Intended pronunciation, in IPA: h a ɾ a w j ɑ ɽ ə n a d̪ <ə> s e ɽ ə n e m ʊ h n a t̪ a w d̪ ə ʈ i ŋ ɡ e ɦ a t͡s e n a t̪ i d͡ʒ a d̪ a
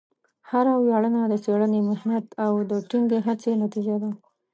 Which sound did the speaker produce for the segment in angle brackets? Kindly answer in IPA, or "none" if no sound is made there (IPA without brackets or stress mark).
ə